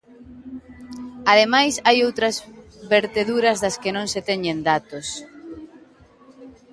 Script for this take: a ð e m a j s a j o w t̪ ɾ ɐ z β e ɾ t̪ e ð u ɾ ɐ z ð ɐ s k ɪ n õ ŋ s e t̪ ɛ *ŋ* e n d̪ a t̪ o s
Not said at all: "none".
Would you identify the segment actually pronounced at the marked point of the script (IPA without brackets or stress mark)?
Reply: ɲ